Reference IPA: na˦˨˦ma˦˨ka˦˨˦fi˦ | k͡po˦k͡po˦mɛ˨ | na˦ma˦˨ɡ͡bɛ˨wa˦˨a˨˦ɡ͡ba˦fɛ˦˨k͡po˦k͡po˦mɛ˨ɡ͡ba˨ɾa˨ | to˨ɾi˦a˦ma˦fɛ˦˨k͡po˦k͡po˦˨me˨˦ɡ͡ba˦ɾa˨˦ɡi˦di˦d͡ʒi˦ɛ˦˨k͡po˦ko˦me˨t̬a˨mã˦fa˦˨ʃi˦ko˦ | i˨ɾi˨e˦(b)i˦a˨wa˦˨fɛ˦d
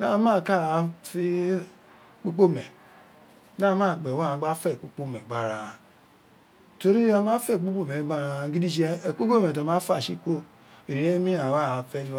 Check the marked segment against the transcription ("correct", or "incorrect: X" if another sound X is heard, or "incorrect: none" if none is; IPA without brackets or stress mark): incorrect: m